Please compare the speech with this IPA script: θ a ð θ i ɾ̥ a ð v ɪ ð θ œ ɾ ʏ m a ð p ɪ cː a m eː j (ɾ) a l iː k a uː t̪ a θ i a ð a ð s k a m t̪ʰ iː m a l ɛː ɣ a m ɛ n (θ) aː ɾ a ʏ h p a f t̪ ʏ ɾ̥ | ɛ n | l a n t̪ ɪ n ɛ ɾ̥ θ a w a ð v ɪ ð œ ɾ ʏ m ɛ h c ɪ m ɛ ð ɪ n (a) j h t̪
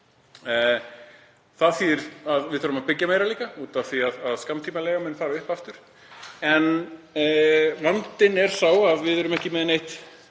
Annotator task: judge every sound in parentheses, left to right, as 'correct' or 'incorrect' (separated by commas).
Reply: correct, incorrect, incorrect